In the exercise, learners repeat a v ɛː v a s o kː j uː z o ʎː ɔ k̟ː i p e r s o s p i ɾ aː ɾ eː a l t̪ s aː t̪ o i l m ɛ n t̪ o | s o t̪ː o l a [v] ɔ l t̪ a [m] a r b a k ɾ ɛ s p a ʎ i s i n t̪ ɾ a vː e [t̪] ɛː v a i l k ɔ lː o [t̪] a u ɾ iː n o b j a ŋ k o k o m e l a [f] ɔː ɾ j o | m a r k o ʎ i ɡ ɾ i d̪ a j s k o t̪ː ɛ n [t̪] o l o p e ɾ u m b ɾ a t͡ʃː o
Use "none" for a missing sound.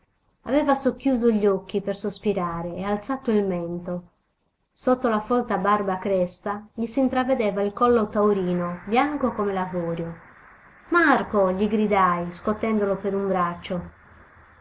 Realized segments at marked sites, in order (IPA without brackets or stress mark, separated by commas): f, b, d̪, t̪, v, d̪